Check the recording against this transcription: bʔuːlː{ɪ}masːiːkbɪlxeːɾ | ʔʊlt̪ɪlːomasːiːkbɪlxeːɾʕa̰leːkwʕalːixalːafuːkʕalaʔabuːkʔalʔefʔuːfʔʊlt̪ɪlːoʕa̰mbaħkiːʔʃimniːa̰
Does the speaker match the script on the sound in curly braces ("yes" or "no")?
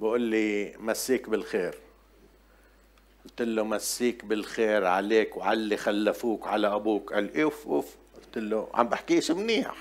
no